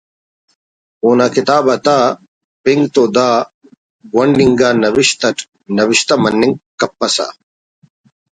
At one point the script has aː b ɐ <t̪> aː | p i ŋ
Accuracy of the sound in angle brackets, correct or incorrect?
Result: correct